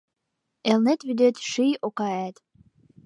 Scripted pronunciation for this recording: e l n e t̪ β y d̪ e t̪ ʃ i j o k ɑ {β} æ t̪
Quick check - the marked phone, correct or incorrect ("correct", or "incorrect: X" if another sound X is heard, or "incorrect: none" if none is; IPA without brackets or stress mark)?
incorrect: none